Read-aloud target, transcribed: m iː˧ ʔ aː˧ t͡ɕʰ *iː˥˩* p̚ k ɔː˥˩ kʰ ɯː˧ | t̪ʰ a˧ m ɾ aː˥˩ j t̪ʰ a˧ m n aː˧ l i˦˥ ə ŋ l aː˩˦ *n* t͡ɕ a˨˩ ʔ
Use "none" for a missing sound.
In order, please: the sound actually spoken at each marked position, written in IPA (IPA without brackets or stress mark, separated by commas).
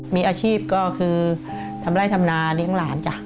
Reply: iː˥˩, n